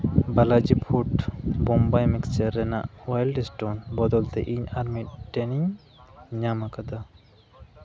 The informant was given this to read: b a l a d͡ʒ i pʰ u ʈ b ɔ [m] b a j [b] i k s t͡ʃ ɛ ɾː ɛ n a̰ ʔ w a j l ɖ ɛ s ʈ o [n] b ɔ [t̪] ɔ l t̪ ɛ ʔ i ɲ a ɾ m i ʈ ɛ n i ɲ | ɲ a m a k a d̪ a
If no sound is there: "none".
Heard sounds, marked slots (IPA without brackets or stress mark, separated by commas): m, m, n, d̪